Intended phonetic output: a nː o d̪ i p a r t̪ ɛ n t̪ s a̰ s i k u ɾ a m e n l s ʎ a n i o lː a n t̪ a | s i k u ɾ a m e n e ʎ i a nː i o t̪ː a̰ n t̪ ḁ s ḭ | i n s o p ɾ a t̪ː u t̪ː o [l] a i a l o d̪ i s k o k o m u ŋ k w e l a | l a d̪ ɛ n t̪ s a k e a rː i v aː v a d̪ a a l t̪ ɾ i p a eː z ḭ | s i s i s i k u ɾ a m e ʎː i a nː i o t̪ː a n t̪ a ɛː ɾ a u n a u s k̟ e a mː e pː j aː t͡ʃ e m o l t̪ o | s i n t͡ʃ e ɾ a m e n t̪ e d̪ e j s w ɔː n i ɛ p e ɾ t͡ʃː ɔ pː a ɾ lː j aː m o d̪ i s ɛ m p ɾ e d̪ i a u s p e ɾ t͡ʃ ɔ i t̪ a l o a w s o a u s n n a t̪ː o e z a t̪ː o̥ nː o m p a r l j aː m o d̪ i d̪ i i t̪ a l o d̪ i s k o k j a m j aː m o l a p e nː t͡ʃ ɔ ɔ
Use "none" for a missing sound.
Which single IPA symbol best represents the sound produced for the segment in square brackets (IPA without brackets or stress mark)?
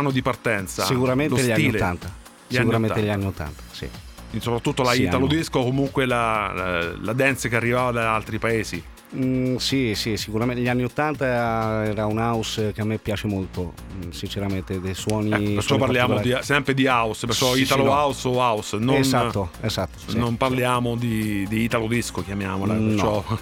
l